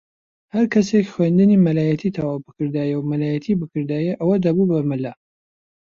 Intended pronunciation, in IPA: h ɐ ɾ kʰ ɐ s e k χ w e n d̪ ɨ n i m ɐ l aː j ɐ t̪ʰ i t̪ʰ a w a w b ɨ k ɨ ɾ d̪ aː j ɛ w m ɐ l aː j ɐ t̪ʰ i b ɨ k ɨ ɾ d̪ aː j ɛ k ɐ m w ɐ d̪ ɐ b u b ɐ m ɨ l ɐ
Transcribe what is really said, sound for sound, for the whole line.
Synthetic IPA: h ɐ ɾ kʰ ɐ s e k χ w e n d̪ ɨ n i m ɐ l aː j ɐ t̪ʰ i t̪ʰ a w a w b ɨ k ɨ ɾ d̪ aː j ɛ w m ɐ l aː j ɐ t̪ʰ i b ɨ k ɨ ɾ d̪ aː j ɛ ʔ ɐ w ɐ d̪ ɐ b u b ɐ m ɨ l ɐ